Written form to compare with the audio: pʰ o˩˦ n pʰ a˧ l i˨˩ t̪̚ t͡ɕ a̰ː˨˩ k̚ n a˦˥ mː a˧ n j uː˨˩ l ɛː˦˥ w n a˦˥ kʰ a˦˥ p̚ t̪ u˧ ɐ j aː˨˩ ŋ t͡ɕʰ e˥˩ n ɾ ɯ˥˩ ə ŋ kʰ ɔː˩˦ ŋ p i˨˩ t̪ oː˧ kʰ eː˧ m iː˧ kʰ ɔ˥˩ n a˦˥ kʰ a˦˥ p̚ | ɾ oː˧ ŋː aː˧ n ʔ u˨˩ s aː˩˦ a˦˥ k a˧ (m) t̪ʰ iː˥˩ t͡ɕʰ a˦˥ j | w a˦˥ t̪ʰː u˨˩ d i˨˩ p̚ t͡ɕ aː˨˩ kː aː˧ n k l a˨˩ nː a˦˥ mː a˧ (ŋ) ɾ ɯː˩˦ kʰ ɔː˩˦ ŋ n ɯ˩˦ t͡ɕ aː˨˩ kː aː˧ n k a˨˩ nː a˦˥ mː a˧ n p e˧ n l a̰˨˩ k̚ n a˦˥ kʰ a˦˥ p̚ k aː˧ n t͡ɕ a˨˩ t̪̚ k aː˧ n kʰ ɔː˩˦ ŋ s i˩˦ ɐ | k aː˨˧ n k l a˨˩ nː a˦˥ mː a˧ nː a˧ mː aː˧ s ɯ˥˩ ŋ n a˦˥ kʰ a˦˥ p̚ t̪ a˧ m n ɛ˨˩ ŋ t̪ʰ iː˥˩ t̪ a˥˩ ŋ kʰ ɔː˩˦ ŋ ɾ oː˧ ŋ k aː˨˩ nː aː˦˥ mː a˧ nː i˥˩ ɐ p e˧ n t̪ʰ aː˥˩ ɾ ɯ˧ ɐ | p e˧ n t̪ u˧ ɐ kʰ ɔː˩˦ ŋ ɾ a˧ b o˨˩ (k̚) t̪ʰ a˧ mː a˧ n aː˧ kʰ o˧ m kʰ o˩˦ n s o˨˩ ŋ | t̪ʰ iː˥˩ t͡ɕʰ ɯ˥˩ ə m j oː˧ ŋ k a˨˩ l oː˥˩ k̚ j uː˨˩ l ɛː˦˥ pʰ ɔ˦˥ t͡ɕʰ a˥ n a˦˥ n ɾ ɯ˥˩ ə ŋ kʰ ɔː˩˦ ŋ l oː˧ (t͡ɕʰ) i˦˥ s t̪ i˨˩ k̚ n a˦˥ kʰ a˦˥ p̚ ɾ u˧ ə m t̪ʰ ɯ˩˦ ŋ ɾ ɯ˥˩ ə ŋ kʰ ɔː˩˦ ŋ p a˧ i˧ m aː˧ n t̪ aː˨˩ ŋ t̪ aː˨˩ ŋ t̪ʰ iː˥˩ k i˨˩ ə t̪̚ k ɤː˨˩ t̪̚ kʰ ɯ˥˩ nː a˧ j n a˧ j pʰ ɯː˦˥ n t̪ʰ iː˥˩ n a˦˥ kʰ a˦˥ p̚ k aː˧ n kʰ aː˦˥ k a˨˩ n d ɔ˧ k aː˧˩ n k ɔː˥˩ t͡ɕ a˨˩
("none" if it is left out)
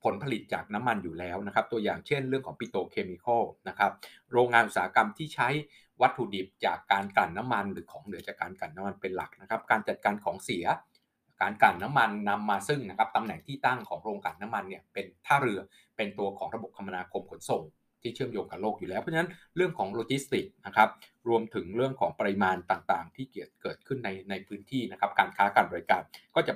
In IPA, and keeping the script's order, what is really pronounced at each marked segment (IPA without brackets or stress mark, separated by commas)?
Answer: m, n, p̚, t͡ɕ